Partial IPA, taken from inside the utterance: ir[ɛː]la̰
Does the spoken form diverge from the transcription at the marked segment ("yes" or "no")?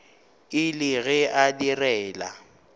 no